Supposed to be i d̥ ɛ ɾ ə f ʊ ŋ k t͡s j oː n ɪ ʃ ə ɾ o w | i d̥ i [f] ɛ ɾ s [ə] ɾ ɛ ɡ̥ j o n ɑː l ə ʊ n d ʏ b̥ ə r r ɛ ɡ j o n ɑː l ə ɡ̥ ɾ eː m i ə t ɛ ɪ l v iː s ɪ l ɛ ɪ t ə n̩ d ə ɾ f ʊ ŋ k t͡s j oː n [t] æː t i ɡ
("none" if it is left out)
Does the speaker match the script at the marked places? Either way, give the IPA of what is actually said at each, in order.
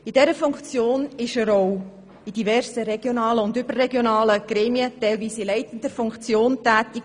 v, ə, t

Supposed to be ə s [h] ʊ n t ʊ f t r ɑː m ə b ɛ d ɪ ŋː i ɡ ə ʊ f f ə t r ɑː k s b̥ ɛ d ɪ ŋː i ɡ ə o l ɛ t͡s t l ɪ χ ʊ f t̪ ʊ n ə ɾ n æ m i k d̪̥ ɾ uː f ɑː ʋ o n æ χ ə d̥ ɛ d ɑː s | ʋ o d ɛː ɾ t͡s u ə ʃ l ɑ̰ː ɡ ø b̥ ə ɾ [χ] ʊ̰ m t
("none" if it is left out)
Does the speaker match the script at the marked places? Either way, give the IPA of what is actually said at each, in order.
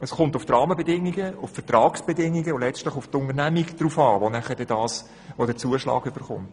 χ, χ

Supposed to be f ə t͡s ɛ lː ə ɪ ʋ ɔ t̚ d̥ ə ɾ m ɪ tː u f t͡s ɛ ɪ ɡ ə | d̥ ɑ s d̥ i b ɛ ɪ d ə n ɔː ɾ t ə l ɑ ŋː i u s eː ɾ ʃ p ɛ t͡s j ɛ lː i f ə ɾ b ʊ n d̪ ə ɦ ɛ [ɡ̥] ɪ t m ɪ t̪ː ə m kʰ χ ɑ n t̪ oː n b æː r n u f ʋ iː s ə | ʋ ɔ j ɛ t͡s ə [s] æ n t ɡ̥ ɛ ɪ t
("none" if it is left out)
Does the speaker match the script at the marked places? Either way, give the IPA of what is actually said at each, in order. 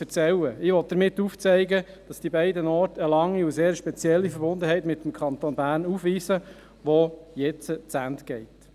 none, t͡s

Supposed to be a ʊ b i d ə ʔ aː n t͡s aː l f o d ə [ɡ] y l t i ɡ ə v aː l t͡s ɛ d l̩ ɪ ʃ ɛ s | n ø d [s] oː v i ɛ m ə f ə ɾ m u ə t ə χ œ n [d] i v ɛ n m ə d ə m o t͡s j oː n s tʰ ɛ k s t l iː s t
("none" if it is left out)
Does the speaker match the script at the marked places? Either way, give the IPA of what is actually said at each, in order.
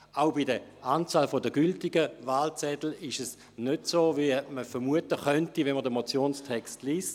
ɡ, s, t

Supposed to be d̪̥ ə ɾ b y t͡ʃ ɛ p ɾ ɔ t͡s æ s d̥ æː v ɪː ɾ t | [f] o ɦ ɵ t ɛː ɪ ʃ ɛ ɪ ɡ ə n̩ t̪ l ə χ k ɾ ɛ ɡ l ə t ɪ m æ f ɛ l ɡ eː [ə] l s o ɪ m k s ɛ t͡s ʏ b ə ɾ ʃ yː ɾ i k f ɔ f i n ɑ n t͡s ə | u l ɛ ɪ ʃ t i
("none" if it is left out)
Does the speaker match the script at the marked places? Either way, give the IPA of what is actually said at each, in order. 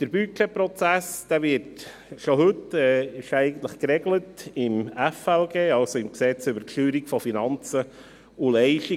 ʃ, ɑ

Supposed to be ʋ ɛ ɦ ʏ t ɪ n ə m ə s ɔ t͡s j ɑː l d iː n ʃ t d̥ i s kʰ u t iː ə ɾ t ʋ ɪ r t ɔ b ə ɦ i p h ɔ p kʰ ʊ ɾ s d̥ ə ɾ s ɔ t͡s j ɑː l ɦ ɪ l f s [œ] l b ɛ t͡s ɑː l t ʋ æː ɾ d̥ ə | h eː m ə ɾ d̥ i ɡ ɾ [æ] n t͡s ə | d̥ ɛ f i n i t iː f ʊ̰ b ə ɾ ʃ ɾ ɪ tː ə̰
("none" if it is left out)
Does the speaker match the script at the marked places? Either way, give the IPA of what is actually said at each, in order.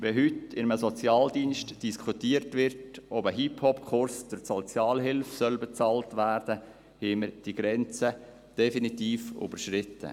œ, ɛ

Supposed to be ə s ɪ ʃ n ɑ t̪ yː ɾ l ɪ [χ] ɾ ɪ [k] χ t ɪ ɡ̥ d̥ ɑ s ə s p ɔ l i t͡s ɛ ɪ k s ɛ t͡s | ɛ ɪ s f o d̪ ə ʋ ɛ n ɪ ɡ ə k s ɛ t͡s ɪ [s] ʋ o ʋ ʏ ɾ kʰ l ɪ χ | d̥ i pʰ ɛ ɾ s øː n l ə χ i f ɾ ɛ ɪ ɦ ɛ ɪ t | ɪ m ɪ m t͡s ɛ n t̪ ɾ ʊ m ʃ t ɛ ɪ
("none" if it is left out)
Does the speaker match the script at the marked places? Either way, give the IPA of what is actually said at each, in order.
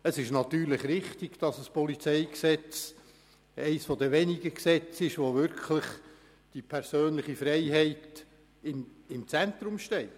χ, none, ʃ

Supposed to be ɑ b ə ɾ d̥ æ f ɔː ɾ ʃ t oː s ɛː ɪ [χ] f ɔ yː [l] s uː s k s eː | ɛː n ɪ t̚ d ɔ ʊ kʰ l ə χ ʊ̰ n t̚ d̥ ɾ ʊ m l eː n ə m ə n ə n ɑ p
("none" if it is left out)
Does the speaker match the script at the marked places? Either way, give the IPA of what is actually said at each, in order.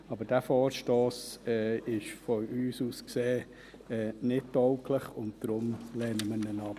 ʃ, none

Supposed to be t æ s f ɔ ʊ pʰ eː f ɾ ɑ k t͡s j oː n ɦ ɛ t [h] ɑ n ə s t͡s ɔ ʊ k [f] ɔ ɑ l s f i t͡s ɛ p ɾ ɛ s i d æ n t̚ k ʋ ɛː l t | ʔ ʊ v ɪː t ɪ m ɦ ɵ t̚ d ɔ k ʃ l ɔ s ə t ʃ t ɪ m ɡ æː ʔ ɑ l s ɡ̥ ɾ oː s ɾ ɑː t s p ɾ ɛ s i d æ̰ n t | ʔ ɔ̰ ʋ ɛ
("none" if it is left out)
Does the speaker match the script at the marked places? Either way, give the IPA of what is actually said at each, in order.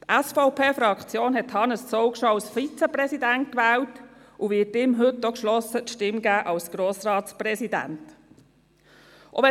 h, ʃ

